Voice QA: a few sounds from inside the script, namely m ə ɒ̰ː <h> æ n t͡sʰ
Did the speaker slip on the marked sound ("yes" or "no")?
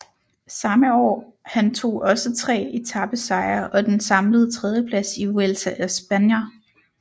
no